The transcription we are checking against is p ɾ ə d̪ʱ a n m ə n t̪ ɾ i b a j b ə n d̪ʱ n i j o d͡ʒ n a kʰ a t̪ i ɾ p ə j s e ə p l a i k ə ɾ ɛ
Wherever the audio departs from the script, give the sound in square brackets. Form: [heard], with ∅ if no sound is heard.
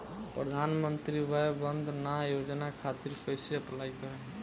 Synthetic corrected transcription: p ɾ ə d̪ʱ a n m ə n t̪ ɾ i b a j b ə n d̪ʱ n [a] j o d͡ʒ n a kʰ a t̪ i ɾ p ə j s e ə p l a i k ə ɾ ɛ